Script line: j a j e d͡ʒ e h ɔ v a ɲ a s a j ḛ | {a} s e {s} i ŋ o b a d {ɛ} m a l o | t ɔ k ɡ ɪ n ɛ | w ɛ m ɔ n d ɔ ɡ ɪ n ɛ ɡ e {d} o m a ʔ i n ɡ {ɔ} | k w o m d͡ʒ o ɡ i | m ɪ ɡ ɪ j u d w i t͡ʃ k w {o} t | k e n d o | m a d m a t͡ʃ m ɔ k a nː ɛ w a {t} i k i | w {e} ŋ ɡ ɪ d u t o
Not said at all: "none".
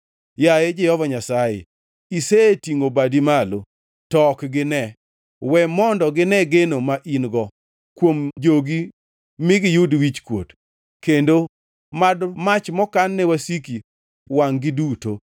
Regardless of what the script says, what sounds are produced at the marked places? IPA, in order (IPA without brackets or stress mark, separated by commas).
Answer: i, t, i, n, ɔ, o, s, a